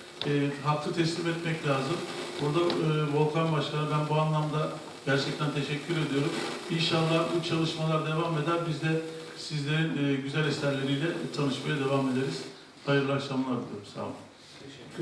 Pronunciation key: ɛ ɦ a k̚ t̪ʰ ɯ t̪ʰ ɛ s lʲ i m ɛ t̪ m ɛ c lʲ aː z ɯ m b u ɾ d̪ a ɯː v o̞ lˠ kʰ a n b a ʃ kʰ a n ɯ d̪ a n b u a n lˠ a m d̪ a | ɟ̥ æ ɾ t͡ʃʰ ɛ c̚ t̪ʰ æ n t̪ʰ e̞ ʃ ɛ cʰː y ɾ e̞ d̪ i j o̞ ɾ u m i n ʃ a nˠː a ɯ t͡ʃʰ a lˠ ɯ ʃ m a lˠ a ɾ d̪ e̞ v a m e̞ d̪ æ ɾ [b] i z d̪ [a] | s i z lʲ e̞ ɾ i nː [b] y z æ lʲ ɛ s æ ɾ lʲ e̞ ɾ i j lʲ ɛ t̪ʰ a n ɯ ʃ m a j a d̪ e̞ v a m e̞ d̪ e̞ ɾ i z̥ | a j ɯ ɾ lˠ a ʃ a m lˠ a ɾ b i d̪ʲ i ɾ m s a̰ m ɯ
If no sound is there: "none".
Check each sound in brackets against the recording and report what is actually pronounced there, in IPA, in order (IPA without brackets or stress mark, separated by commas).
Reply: b, ɛ, ɟ